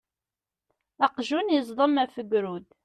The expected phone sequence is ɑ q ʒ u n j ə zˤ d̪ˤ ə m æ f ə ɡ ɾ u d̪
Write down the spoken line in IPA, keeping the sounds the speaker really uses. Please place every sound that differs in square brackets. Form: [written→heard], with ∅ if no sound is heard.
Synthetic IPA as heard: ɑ q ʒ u n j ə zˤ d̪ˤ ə m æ f ə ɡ ɾ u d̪